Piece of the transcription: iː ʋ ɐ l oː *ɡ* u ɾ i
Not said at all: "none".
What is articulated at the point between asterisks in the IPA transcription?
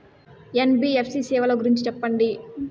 ɡ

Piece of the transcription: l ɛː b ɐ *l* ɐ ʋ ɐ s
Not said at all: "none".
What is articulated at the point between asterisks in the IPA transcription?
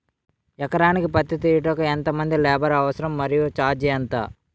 ɾ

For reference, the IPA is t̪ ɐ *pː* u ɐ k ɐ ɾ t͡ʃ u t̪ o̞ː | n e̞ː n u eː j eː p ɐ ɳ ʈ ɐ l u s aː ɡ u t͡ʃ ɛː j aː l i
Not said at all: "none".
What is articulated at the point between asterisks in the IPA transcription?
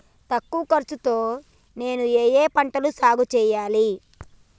kː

